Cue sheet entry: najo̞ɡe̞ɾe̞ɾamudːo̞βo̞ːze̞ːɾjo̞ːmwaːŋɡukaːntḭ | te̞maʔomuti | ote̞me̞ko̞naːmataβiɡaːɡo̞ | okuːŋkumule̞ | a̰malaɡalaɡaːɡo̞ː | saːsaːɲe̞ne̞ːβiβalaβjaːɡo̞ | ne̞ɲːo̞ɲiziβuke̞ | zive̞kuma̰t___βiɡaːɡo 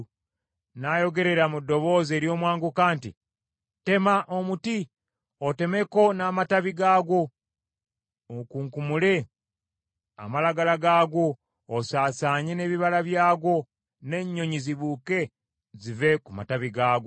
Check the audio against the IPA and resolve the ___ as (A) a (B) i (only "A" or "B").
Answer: A